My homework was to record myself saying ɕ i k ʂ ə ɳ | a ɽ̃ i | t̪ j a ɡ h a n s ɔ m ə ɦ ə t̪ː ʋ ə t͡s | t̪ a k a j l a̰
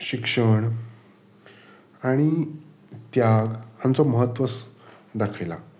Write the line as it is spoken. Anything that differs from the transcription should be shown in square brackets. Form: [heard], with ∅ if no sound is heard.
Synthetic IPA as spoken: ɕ i k ʂ ə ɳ | a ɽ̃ i | t̪ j a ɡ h a n [t͡s] ɔ m ə ɦ ə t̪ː ʋ ə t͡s | [d̪] a [kʰ] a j l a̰